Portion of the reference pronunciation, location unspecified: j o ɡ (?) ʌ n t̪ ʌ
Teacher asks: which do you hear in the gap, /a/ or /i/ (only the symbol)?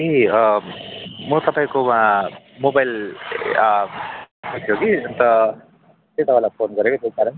i